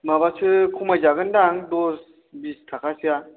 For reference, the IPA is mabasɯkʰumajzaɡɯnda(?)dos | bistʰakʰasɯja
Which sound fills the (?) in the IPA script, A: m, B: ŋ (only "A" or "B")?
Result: B